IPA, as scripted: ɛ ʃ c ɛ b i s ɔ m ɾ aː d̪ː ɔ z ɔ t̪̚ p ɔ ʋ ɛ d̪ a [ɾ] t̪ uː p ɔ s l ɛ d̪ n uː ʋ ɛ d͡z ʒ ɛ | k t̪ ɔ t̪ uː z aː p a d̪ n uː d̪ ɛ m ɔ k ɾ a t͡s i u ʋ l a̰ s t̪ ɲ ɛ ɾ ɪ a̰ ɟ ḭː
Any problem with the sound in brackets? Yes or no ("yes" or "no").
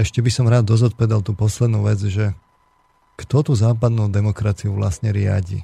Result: yes